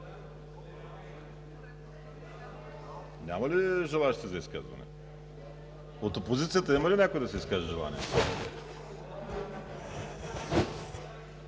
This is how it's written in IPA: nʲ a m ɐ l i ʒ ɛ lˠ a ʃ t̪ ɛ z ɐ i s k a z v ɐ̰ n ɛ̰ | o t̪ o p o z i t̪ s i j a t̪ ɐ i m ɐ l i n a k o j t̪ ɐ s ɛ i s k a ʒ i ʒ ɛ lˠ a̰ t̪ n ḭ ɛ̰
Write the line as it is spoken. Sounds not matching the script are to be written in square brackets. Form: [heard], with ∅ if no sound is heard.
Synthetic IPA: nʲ a m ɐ l i ʒ ɛ lˠ a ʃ t̪ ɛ z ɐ i s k a z v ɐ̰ n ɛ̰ | o t̪ o p o z i t̪ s i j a t̪ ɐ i m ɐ l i n [ɛ] k o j [d̪] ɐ s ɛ i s k a ʒ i ʒ ɛ lˠ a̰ [∅] n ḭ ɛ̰